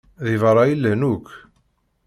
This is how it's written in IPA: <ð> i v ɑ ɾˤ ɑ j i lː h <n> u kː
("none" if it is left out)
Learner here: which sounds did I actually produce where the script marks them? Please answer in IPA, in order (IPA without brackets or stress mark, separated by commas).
ð, n